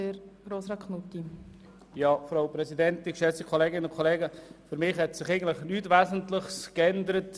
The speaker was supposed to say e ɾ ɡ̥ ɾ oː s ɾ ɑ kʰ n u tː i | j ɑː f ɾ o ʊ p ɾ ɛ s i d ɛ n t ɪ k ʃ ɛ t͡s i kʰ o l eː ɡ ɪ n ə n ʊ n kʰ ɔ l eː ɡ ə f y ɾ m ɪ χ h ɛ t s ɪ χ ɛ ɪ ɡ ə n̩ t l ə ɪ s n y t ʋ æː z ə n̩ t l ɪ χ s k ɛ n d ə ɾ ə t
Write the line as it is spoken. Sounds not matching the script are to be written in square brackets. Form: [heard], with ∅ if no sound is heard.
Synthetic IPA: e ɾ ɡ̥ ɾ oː s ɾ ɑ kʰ n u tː i | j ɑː f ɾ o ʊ p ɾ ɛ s i d ɛ n t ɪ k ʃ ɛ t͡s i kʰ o l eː ɡ ɪ n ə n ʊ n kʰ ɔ l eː ɡ ə f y ɾ m ɪ χ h ɛ t s ɪ χ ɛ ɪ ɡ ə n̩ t l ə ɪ [χ] n y t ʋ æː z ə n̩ t l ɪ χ s k ɛ n d ə ɾ ə t